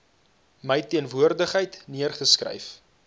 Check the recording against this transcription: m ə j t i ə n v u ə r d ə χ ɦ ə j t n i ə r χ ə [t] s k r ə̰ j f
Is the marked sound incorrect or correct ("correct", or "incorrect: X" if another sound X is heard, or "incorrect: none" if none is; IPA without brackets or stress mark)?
incorrect: none